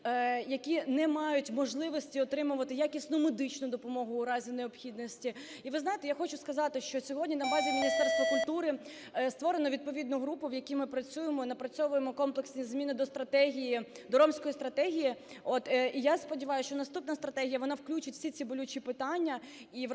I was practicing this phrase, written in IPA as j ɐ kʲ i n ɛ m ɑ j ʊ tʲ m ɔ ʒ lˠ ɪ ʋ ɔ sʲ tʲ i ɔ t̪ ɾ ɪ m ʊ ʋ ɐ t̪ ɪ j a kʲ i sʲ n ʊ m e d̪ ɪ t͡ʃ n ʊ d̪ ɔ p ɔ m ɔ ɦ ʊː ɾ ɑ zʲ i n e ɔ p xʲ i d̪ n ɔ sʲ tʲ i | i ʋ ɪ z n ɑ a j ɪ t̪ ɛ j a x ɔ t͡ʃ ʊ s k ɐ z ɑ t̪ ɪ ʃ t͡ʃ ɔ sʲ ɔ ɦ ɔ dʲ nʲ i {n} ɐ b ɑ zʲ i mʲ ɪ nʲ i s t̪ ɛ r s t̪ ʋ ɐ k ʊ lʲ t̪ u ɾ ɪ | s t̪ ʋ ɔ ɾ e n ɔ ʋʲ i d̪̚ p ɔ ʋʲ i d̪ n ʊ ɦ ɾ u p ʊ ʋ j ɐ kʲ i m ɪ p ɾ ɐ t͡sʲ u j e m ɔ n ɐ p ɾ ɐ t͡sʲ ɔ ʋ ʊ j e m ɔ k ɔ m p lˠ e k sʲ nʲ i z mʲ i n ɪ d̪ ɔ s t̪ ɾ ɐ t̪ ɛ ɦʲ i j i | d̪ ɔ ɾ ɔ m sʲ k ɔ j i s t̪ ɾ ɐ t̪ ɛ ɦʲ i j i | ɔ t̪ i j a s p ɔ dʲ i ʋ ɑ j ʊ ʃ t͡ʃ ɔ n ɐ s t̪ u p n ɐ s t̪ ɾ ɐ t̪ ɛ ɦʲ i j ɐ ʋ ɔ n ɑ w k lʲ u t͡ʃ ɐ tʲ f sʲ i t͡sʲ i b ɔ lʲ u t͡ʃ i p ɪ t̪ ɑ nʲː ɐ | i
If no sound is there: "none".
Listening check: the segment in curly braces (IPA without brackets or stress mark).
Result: n